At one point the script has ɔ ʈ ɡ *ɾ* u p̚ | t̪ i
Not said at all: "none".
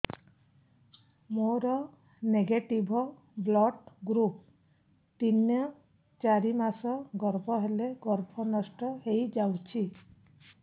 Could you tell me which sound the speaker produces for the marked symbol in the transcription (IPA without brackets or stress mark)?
ɾ